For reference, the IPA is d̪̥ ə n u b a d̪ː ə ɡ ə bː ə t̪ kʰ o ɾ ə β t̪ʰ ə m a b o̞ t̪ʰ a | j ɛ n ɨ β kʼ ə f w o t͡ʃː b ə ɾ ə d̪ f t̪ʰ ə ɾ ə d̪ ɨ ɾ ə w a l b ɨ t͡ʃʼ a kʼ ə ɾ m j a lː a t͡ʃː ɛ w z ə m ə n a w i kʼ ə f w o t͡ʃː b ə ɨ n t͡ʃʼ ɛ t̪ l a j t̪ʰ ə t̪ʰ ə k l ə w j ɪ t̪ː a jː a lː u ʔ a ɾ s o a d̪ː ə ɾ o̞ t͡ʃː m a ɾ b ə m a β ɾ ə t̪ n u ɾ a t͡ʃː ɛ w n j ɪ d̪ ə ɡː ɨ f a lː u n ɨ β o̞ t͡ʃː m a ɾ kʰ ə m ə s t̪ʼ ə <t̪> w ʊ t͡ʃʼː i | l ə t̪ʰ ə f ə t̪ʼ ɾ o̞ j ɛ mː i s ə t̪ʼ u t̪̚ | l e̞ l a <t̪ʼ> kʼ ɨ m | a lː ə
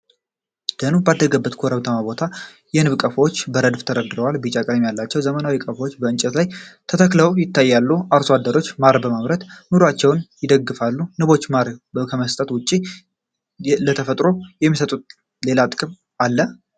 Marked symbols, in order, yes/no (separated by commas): yes, yes